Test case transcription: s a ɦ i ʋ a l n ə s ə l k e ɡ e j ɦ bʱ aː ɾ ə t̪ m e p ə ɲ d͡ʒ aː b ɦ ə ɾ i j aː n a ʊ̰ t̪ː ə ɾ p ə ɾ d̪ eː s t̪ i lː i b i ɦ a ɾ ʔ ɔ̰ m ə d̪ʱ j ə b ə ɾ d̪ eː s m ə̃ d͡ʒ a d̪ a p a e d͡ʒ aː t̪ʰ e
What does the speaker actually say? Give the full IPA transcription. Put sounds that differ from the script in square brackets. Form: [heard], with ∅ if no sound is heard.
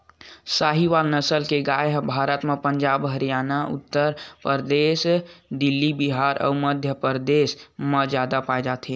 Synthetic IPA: s a ɦ i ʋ a l n ə s ə l k e ɡ [a] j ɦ bʱ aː ɾ ə t̪ m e p ə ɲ d͡ʒ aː b ɦ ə ɾ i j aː n a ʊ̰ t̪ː ə ɾ p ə ɾ d̪ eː s [d̪] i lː i b i ɦ a ɾ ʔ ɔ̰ m ə d̪ʱ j ə [p] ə ɾ d̪ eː s m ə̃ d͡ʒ a d̪ a p a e d͡ʒ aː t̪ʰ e